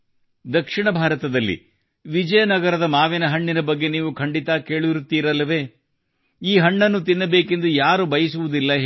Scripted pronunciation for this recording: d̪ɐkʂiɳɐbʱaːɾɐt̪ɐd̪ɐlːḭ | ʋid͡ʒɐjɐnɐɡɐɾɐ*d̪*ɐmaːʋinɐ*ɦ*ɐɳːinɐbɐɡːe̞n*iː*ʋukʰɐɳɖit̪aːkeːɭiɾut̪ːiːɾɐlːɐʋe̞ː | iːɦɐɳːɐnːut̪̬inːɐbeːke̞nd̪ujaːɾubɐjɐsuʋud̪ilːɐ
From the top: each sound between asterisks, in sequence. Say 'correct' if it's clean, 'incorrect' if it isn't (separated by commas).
correct, correct, correct